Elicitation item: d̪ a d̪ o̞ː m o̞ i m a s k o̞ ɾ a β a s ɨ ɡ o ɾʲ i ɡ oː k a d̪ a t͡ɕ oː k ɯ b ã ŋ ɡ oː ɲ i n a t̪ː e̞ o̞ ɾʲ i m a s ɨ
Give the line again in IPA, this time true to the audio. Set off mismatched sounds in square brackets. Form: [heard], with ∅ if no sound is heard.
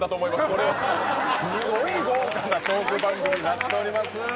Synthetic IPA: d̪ a [t̪] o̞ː m o̞ i m a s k o̞ ɾ [e] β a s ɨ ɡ o [∅] i ɡ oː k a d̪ a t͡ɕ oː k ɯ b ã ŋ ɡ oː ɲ i n a t̪ː e̞ o̞ ɾʲ i m a s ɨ

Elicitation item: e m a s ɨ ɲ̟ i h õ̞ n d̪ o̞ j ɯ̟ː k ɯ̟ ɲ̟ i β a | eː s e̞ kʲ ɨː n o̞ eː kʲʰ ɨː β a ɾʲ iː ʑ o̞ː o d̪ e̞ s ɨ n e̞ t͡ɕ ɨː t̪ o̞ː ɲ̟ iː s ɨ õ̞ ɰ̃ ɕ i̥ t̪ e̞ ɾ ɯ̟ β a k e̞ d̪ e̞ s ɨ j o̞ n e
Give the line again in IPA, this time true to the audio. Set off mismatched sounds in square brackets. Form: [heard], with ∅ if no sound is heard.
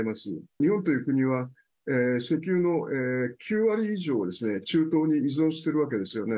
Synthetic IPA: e m a s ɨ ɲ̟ i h õ̞ n [t̪] o̞ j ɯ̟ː k ɯ̟ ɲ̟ i β a | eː s e̞ kʲ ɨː n o̞ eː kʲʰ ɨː β a ɾʲ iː ʑ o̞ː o d̪ e̞ s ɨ n e̞ t͡ɕ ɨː t̪ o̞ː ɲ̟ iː [z] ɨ õ̞ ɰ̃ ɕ i̥ t̪ e̞ ɾ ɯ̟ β a k e̞ d̪ e̞ s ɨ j o̞ n e

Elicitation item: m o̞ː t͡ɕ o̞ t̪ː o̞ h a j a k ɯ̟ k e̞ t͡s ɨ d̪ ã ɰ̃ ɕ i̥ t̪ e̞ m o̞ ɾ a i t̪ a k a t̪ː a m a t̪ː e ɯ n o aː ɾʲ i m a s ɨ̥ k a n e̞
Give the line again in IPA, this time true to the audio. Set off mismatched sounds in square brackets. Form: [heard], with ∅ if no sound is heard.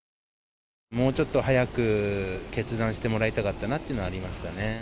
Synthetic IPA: m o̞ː t͡ɕ o̞ t̪ː o̞ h a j a k ɯ̟ k e̞ t͡s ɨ d̪ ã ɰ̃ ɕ i̥ t̪ e̞ m o̞ ɾ a i t̪ a k a t̪ː a [n] a t̪ː e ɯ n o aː ɾʲ i m a s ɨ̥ k a n e̞

